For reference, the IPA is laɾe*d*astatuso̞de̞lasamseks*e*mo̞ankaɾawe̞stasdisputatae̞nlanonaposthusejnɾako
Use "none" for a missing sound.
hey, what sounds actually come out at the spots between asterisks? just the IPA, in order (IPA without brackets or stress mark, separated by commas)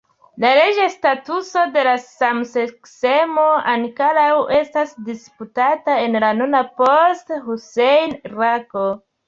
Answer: d͡ʒ, e